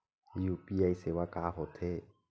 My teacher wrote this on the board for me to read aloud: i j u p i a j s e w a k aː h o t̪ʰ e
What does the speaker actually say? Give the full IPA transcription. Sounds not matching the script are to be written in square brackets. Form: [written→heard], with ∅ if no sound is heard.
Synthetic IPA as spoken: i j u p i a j s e w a k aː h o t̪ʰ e